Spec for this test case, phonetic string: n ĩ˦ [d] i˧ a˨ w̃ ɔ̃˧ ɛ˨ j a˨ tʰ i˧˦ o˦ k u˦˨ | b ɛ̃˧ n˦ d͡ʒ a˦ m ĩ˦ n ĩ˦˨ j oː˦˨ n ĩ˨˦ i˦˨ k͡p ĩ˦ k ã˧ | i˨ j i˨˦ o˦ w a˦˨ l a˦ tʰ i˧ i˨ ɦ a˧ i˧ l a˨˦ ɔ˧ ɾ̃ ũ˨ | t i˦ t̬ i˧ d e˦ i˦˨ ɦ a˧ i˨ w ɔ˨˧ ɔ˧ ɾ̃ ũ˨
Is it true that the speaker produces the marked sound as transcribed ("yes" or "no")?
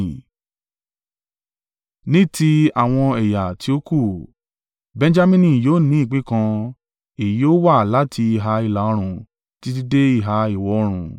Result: no